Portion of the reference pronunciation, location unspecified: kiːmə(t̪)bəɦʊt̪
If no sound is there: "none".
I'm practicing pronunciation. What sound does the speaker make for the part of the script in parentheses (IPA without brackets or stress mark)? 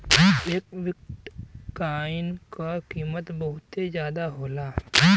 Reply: t̪